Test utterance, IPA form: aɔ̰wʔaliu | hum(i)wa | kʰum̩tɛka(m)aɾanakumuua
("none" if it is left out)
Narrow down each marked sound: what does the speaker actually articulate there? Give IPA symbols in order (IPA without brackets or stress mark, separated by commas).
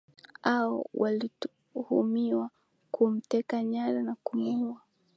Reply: i, ɲ